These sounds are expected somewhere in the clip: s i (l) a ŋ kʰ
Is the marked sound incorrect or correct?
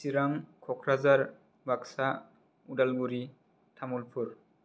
incorrect